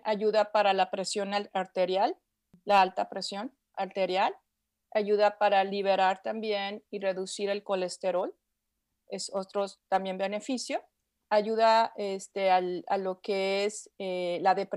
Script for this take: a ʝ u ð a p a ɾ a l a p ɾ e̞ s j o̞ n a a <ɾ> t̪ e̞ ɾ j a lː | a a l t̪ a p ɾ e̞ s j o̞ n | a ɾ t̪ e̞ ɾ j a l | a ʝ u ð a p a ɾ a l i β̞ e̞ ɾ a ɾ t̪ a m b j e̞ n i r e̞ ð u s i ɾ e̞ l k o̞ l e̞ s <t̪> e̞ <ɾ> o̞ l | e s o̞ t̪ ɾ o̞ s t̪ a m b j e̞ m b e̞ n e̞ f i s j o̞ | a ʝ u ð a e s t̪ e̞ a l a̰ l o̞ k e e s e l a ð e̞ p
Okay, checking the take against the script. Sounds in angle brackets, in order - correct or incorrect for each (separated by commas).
correct, correct, correct